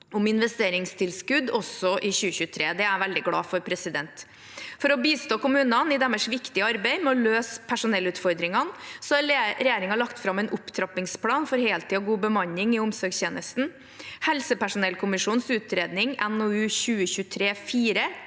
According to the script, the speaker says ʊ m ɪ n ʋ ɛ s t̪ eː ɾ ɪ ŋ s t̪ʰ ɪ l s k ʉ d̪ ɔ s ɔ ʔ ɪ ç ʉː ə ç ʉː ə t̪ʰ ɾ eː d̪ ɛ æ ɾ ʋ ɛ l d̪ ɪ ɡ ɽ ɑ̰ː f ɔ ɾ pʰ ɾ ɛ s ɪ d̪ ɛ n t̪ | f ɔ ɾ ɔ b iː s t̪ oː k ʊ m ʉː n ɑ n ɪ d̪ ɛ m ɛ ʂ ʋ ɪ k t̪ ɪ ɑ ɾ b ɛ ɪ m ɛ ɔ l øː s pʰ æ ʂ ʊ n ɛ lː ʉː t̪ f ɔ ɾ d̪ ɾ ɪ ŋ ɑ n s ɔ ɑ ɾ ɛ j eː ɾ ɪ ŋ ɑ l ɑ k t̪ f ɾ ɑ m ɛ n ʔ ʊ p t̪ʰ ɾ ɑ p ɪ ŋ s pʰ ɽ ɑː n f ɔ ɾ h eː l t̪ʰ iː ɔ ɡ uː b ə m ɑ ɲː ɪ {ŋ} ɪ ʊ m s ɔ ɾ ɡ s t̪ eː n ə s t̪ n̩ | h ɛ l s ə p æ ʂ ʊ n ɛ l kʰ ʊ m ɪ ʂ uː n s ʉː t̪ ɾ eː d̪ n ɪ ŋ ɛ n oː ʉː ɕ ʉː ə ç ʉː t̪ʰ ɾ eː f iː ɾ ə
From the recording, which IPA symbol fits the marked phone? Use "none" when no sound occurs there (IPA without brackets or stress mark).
ŋ